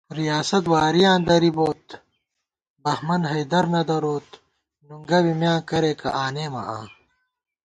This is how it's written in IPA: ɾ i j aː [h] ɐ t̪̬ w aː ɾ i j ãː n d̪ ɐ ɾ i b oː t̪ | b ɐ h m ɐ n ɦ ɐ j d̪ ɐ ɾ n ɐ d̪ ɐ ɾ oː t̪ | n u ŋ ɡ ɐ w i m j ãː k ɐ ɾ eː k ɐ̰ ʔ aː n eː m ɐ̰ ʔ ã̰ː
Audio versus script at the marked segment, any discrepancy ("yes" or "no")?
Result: yes